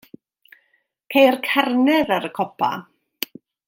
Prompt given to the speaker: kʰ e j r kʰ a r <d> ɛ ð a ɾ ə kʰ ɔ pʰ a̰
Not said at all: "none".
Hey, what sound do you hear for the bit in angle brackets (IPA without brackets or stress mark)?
n